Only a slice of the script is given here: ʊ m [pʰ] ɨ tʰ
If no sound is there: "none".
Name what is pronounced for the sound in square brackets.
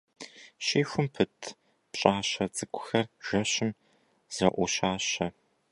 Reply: pʰ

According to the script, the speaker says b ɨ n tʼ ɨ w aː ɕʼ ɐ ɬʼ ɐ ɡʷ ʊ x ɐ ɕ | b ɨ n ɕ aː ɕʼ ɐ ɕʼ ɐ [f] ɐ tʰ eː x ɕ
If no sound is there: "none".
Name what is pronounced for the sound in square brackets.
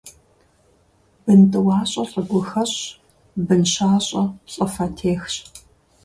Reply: f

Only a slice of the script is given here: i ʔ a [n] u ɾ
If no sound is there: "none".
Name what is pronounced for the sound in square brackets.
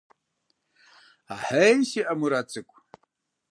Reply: m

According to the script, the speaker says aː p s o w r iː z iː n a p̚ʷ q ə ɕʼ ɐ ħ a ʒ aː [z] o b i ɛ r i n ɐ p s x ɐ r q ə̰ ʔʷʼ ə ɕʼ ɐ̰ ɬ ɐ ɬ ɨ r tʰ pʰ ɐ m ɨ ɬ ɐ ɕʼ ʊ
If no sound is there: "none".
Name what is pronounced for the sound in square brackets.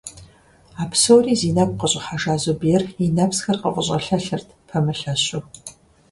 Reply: z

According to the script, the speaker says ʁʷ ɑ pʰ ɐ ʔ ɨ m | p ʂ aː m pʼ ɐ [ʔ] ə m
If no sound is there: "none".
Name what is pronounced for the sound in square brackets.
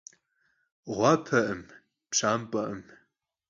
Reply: ʔ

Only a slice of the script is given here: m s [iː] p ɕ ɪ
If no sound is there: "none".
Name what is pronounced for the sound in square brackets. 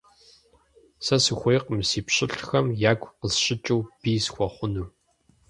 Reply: iː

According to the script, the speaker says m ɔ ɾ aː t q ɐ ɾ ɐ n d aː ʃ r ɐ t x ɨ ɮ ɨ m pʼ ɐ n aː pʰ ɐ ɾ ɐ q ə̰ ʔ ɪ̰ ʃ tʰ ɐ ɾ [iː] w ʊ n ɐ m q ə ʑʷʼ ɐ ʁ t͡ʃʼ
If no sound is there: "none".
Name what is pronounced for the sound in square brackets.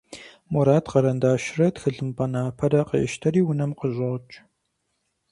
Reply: iː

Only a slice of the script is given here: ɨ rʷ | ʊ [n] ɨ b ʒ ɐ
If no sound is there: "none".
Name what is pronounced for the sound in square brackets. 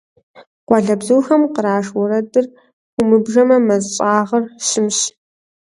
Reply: m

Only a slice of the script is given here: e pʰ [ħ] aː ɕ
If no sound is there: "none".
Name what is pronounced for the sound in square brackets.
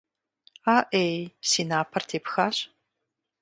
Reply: x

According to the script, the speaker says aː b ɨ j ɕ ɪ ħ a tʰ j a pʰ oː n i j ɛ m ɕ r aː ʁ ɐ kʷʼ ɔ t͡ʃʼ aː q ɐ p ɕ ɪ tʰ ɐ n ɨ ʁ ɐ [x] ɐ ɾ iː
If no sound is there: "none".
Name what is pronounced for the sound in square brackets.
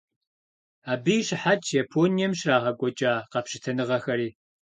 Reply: x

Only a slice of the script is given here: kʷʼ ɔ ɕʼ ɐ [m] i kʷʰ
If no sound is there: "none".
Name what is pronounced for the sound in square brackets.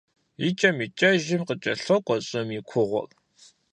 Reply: m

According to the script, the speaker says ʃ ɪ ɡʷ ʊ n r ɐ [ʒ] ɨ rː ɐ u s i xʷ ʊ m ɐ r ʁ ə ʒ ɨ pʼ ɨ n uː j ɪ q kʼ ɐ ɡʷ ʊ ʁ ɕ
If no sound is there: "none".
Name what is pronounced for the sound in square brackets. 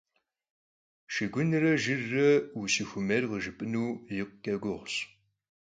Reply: ʒ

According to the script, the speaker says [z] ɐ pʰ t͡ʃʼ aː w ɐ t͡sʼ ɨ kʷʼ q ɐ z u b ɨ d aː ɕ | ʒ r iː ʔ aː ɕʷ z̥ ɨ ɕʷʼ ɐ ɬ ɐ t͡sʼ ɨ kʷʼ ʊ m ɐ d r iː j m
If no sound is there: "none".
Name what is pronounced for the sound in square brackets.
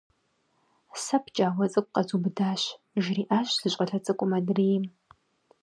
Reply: s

